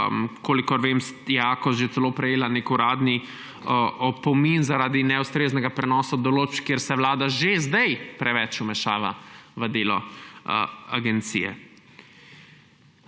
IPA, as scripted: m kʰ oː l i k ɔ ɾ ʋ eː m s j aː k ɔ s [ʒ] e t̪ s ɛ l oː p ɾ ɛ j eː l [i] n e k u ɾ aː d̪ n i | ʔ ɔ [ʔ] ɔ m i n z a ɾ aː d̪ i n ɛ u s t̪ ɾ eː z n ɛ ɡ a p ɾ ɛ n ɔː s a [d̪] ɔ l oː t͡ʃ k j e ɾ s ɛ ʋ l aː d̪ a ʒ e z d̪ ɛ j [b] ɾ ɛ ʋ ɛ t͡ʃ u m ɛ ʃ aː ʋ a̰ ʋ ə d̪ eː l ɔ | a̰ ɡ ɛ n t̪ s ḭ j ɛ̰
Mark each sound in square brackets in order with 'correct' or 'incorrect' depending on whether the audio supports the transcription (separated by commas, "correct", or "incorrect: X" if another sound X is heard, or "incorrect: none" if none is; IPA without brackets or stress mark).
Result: correct, incorrect: a, incorrect: p, correct, incorrect: p